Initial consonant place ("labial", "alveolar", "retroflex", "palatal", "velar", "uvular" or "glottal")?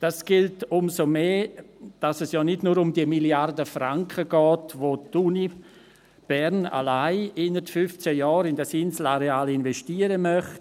alveolar